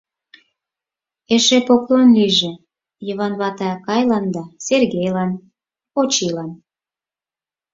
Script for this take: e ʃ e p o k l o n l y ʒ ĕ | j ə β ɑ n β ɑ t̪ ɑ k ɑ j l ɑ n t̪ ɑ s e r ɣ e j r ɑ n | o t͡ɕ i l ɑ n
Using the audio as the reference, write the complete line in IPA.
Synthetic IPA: e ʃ e p o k l o n l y ʒ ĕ | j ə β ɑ n β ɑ t̪ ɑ k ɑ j l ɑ n d̪ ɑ s e r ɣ e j l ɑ n | o t͡ɕ i l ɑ n